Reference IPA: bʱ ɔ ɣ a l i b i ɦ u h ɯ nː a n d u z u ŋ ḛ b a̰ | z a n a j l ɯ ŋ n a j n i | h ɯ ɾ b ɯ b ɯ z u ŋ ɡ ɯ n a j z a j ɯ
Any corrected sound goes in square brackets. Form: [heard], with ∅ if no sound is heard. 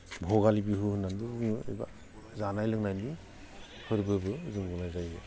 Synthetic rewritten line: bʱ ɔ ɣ a l i b i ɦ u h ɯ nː a n d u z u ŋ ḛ b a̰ | z a n a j l ɯ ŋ n a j n i | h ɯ ɾ b ɯ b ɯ z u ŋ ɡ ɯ n a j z a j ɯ